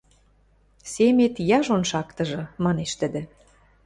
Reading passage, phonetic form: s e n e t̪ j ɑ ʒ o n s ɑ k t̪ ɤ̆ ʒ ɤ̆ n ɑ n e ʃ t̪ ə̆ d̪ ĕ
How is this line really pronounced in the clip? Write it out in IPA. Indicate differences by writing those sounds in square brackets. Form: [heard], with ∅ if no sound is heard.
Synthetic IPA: s e [m] e t̪ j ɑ ʒ o n [ʃ] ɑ k t̪ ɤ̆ ʒ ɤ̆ [m] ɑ n e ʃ t̪ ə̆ d̪ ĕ